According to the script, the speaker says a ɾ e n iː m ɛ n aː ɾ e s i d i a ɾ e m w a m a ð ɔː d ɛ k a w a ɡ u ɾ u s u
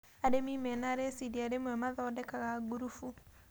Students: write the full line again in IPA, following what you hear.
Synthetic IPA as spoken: a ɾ e m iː m ɛ n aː ɾ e s i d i a ɾ e m w ɛ m a ð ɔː d ɛ k a ɣ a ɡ u ɾ u f u